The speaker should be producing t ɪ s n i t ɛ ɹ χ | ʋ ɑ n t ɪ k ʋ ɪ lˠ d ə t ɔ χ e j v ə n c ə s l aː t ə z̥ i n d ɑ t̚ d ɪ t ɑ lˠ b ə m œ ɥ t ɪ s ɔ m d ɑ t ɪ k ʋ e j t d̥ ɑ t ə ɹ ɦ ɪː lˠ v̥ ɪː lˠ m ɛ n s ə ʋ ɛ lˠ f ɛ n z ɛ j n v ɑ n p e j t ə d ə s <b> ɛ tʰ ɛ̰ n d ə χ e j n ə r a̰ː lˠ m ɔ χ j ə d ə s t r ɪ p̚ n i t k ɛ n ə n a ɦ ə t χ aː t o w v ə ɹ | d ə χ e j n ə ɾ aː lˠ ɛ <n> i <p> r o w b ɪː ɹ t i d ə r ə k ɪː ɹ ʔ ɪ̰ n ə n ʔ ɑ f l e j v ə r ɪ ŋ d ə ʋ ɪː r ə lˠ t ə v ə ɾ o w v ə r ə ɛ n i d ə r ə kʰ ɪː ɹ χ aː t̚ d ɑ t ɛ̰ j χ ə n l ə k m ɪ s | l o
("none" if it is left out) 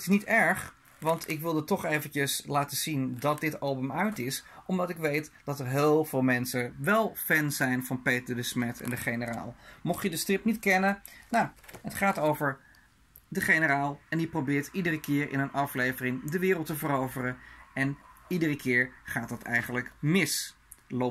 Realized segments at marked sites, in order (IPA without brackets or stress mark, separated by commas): m, n, p